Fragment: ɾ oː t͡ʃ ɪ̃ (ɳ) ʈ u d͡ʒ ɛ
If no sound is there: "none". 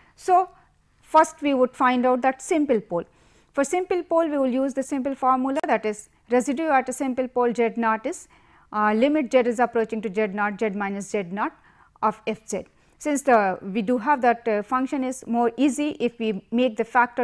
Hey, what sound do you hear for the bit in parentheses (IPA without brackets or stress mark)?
ŋ